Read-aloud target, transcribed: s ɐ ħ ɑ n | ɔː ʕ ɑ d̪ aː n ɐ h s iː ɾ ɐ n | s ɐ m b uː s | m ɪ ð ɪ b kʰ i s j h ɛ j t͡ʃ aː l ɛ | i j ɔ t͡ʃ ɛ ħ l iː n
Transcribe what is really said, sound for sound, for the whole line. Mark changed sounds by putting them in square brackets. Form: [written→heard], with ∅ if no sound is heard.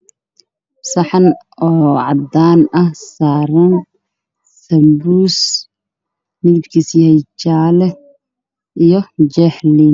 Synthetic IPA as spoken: s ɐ ħ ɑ n | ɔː ʕ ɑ d̪ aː n ɐ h s [iː→aː] ɾ ɐ n | s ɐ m b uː s | m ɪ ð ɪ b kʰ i s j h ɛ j t͡ʃ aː l ɛ | i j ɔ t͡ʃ ɛ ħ l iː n